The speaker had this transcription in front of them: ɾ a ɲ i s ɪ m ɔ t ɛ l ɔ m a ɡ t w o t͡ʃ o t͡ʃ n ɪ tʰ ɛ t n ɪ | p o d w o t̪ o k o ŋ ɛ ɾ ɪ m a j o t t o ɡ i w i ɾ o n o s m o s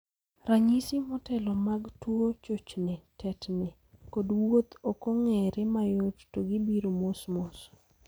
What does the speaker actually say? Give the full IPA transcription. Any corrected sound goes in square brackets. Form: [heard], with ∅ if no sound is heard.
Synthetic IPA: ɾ a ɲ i s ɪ m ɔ t ɛ l ɔ m a ɡ t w o t͡ʃ o t͡ʃ n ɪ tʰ ɛ t n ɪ | [k] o d w o t̪ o k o ŋ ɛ ɾ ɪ m a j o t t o ɡ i [b] i ɾ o [m] o s m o s